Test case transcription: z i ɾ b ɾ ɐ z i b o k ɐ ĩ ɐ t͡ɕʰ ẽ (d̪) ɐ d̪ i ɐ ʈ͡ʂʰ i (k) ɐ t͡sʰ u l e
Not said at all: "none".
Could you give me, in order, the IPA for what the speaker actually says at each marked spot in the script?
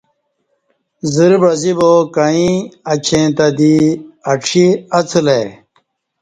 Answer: t̪, none

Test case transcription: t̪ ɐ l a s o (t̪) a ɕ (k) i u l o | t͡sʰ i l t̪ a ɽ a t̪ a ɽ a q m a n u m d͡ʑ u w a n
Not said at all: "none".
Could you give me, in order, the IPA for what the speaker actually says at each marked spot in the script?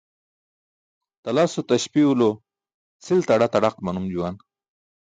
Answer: t̪, p

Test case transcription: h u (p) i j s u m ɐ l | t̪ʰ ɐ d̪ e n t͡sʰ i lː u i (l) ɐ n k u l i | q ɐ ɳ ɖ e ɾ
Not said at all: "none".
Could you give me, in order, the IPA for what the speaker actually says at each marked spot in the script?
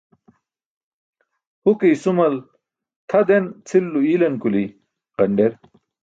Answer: k, l

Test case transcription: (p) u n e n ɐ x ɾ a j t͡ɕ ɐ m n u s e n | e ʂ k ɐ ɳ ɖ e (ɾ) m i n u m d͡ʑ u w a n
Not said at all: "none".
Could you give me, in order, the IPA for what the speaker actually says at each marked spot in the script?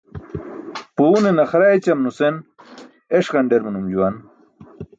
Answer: p, ɾ

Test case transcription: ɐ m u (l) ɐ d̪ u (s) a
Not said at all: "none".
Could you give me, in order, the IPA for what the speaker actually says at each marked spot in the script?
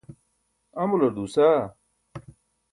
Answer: l, s

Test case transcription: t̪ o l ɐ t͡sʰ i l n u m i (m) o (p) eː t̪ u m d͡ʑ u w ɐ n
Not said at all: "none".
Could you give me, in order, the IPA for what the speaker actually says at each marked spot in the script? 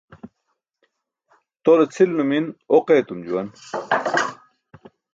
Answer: n, q

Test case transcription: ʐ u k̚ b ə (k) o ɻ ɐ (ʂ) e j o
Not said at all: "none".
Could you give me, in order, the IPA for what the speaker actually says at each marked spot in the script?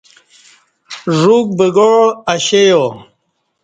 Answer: ɡ, ɕ

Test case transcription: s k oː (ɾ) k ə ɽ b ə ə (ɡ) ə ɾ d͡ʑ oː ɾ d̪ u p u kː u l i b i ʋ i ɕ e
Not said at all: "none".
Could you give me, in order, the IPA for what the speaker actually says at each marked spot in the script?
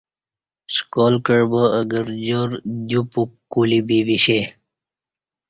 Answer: l, ɡ

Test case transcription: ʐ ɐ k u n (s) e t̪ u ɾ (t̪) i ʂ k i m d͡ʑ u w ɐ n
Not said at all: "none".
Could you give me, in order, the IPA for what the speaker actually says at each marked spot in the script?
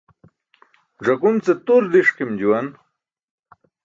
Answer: t͡s, d̪

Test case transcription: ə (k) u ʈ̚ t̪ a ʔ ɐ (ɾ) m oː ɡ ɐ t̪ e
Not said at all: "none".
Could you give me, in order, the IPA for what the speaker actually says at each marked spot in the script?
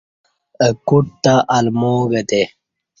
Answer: k, l

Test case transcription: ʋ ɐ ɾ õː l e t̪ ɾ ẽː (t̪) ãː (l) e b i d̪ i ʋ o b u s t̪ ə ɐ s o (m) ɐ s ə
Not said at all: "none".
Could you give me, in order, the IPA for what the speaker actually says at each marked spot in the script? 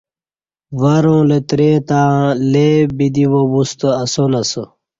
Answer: t̪, l, n

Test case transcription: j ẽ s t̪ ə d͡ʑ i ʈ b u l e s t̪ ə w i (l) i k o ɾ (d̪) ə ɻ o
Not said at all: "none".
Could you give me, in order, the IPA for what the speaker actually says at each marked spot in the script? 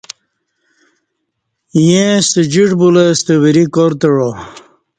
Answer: ɾ, t̪

